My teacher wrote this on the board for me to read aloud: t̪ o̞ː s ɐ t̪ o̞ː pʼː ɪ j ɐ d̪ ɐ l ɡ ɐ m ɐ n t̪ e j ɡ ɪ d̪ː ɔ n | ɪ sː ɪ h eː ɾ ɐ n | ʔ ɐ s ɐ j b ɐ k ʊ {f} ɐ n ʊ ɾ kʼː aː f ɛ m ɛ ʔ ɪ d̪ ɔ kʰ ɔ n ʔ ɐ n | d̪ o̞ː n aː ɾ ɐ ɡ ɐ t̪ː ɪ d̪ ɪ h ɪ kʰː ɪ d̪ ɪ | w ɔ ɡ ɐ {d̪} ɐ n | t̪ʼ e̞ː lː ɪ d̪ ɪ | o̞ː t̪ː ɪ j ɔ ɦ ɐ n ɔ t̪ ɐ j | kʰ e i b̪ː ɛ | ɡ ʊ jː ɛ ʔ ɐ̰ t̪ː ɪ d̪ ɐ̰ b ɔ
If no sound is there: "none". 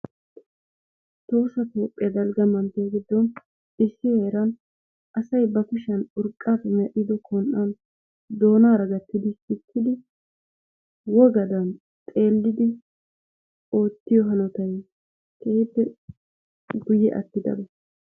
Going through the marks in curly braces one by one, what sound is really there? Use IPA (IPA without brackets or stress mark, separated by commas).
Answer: ʃ, d̪